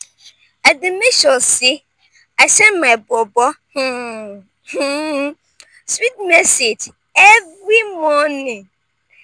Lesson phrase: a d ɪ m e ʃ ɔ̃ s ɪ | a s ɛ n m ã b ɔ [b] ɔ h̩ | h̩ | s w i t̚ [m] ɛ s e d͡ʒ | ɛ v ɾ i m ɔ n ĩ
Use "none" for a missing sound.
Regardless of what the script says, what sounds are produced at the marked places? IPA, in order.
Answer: b, m

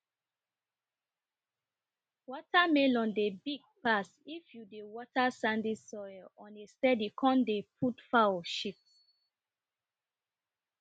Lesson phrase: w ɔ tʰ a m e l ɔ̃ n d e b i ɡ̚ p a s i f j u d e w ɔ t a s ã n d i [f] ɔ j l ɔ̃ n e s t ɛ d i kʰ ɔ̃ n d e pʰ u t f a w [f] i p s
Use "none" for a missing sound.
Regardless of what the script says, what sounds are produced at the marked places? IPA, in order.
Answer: s, ʃ

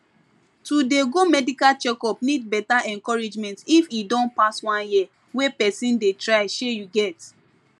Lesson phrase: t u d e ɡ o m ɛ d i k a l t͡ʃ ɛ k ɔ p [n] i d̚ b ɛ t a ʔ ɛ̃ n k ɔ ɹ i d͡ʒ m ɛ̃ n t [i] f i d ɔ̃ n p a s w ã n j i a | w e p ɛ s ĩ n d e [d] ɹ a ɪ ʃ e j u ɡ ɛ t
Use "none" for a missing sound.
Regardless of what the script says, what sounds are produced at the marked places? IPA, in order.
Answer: n, i, t

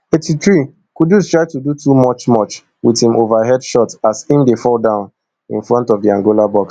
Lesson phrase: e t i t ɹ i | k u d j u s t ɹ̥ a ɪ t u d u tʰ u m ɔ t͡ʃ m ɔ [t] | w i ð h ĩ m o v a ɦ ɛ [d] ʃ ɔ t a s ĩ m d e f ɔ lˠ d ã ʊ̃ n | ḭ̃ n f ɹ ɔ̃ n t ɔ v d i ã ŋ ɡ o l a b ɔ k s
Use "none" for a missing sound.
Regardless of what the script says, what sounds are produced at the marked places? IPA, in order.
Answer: t͡ʃ, d

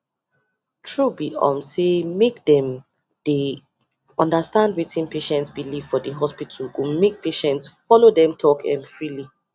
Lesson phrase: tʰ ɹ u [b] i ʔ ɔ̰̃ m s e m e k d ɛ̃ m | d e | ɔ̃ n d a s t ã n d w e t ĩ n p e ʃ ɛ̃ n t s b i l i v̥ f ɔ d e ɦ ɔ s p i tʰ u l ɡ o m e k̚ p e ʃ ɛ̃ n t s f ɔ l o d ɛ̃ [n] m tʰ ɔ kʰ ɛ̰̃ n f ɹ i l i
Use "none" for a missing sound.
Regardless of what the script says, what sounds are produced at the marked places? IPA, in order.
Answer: b, none

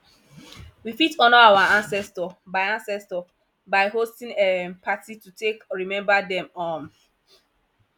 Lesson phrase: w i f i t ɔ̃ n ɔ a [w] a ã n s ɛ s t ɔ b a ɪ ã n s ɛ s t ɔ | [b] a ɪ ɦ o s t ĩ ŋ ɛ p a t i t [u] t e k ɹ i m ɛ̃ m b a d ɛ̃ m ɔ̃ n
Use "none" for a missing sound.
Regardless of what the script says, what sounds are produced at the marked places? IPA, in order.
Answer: w, b, u

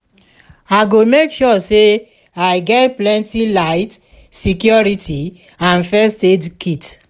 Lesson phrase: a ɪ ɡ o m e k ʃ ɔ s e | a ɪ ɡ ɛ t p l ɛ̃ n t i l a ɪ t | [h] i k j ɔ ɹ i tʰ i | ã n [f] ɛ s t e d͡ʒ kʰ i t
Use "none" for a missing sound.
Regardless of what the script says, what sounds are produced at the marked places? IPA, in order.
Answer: s, f

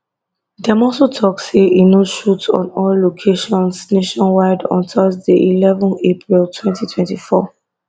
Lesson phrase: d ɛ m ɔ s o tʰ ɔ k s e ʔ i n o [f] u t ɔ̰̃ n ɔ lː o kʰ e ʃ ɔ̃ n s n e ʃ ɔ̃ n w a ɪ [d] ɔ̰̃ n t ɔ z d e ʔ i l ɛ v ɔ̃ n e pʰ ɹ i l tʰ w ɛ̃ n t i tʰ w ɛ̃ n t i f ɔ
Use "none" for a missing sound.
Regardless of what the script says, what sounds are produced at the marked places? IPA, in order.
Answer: ʃ, d

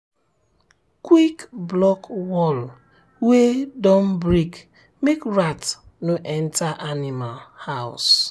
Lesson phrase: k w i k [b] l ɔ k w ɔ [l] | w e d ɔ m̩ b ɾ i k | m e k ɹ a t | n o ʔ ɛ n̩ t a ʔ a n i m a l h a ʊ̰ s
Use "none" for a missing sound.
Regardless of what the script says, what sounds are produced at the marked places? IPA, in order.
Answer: b, l

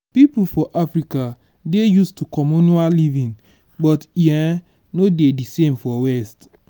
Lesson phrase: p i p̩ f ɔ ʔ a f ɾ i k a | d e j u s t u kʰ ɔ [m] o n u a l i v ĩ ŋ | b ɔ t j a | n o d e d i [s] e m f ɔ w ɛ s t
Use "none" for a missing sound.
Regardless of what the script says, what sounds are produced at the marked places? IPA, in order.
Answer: m, s

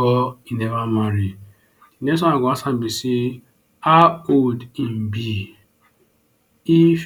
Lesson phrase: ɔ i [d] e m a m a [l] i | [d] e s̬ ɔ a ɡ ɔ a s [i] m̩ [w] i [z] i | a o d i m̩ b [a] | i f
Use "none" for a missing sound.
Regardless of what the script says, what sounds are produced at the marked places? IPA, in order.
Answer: n, ɾ, n, a, b, s, i

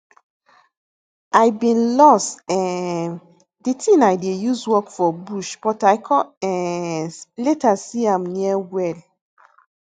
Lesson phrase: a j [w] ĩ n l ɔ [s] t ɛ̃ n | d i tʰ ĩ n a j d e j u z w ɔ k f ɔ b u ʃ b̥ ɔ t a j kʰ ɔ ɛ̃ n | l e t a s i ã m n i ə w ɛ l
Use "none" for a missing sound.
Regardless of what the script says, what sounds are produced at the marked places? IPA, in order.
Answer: b, s

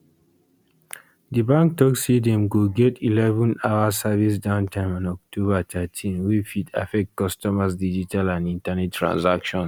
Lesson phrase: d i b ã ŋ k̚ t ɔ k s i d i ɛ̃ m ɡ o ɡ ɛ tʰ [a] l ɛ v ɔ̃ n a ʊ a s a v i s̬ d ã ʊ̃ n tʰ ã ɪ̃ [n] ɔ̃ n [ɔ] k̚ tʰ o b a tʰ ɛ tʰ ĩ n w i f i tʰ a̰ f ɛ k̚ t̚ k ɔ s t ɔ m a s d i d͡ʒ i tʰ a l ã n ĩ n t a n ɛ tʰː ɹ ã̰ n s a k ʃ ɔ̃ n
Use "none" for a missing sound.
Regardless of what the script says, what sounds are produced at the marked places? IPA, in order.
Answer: i, m, ɔ

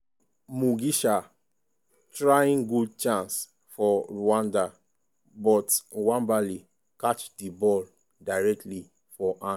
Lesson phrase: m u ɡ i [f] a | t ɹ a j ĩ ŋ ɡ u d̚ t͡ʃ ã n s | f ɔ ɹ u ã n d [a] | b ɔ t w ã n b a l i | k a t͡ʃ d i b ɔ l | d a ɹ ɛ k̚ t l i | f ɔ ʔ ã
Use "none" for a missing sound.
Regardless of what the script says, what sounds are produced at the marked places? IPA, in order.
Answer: ʃ, a

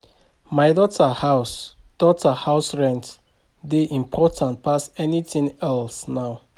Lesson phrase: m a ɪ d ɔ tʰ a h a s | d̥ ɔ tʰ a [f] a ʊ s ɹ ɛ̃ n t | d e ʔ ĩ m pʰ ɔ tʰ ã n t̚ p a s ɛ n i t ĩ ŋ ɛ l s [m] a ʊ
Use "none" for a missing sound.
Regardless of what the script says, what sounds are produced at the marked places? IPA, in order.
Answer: h, n

